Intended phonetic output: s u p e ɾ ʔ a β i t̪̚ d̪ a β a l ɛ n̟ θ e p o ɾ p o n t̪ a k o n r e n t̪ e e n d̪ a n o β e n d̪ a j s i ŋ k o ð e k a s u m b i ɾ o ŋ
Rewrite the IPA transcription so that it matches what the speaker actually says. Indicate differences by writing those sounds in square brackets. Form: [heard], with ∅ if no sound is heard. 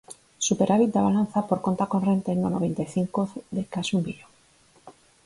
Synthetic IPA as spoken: s u p e ɾ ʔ a β i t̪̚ d̪ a β a l [a] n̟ θ [a] p o ɾ [k] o n t̪ a k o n r e n t̪ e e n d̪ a n o β e n [t̪] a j [θ] i ŋ k o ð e k a s u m b i [ʎ] o ŋ